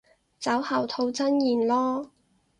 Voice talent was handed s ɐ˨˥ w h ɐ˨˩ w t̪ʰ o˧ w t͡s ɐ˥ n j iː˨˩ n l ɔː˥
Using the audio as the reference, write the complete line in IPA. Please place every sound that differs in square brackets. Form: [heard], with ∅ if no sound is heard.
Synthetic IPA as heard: [t͡s] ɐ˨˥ w h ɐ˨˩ w t̪ʰ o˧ w t͡s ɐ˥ n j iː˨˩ n l ɔː˥